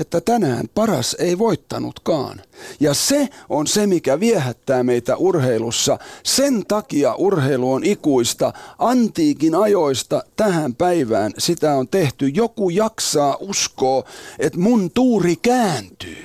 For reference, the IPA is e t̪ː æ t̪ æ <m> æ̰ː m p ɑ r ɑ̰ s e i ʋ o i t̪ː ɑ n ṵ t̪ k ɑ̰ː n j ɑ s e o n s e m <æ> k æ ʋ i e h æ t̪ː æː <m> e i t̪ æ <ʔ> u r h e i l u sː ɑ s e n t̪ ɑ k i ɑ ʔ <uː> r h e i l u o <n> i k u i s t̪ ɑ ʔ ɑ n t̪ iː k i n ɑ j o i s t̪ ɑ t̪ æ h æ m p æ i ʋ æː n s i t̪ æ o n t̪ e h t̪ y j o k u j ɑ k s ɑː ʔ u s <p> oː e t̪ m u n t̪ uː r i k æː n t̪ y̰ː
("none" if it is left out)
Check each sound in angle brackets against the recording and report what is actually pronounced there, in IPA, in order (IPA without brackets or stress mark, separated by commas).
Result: n, i, m, ʔ, u, n, k